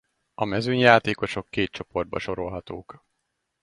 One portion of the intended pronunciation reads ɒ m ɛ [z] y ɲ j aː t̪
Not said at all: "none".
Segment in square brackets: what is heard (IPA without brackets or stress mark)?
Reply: z